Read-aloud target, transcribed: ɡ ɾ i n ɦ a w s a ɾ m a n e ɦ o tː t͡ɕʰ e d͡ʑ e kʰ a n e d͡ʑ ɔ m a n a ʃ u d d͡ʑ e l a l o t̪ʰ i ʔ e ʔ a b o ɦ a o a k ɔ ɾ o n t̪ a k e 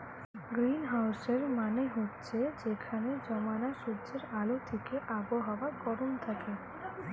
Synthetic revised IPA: ɡ ɾ i n ɦ a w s e ɾ m a n e ɦ o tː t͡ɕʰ e d͡ʑ e kʰ a n e d͡ʑ ɔ m a n a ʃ u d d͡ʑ e ɾ a l o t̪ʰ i k e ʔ a b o ɦ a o a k ɔ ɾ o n t̪ʰ a k e